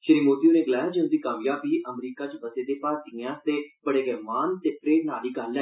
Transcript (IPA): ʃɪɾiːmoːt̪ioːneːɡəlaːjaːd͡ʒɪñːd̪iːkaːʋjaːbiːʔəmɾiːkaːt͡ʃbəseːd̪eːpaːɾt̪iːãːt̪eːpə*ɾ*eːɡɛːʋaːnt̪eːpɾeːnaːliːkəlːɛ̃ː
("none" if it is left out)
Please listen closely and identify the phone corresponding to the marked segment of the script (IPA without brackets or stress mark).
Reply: ɽ